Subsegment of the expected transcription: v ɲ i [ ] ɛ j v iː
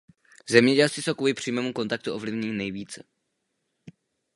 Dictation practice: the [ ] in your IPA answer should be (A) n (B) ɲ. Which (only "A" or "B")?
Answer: A